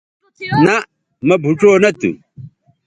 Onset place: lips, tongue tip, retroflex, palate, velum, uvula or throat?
tongue tip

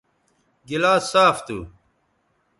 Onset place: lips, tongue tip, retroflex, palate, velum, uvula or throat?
velum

